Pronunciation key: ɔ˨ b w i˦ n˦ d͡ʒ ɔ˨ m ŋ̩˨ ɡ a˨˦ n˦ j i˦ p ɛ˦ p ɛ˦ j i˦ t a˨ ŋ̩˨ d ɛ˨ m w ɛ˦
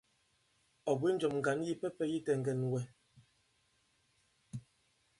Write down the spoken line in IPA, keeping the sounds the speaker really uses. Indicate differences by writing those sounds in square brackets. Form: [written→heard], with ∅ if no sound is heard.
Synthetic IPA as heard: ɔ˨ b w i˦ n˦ d͡ʒ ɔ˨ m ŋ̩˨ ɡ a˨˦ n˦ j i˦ p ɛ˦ p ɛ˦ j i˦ t [a˨→ɛ˨] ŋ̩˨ [d→ɡ] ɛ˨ [m→n] w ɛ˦

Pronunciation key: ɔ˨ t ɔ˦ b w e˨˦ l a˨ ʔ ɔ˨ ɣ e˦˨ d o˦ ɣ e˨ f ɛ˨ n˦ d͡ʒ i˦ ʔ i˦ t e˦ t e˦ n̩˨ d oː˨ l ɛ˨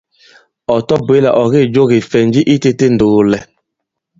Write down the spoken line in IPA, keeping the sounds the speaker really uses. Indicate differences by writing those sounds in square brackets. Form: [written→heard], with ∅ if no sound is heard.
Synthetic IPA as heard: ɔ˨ t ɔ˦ b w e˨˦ l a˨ ʔ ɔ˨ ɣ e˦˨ [d→d͡ʒ] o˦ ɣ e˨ f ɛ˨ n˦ d͡ʒ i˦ ʔ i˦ t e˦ t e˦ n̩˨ d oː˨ l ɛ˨

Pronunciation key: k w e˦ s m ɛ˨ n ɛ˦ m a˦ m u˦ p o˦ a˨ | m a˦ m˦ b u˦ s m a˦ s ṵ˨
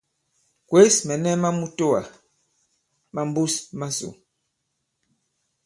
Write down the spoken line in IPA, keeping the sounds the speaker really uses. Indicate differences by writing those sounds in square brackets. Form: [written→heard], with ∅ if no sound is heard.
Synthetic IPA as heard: k w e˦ s m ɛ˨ n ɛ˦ m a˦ m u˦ [p→t] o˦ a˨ | m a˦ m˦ b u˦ s m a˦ s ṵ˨

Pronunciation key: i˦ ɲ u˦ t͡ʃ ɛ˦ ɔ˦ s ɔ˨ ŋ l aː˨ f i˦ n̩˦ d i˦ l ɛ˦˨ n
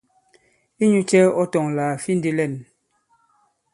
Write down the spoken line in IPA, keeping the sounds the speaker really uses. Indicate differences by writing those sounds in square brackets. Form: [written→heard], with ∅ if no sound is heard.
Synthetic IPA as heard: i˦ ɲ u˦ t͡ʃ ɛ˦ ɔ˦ [s→t] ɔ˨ ŋ l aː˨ f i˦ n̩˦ d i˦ l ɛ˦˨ n

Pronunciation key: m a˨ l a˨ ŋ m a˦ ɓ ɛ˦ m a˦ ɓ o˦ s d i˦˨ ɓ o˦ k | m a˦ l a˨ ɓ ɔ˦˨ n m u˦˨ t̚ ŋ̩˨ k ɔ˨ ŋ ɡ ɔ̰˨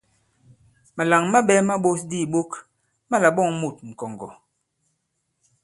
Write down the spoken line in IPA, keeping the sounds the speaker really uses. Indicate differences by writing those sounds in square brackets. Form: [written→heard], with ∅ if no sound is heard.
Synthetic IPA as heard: m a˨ l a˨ ŋ m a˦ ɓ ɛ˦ m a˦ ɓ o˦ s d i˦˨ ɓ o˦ k | m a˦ l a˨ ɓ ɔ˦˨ [n→ŋ] m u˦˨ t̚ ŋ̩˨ k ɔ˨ ŋ ɡ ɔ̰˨

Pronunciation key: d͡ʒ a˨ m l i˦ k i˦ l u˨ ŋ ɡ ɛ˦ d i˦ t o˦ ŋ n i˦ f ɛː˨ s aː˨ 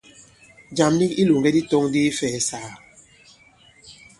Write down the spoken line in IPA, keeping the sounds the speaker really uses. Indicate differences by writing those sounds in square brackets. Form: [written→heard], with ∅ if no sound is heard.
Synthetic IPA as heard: d͡ʒ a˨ m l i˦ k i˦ l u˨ ŋ ɡ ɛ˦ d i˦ t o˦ ŋ [n→d] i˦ f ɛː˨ s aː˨

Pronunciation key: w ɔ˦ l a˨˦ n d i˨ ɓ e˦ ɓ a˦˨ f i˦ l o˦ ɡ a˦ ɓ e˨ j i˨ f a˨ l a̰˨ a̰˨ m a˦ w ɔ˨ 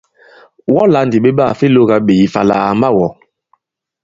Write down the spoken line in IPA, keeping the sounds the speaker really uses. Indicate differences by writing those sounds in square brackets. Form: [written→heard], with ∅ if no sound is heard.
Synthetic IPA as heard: w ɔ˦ l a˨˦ n d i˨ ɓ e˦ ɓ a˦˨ f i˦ l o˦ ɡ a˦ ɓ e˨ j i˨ f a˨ l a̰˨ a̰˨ m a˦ w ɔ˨

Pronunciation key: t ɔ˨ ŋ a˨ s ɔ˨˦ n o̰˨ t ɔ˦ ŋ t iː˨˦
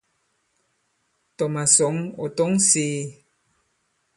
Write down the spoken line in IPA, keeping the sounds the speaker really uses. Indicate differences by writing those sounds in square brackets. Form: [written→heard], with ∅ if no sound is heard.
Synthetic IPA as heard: t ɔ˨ [ŋ→m] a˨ s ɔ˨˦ [n→ŋ] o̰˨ t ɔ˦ ŋ [t→s] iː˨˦

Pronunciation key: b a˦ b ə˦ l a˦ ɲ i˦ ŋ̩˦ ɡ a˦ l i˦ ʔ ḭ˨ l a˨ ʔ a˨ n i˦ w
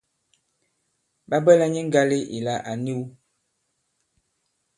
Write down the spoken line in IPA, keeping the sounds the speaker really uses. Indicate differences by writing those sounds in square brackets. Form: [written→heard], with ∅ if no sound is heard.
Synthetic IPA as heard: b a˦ b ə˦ l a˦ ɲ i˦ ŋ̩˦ ɡ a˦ l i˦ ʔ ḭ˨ l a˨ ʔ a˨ n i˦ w

